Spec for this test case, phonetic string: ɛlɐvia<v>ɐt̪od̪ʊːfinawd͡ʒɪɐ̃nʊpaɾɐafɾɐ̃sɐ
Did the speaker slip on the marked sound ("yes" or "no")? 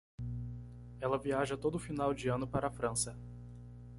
yes